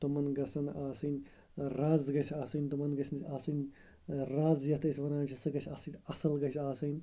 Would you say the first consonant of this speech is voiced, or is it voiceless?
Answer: voiceless